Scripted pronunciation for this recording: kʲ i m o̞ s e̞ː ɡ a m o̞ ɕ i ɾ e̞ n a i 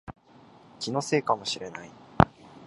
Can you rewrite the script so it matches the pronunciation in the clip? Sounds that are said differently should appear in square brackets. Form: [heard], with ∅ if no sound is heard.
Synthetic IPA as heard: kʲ i [n] o̞ s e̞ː [k] a m o̞ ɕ i ɾ e̞ n a i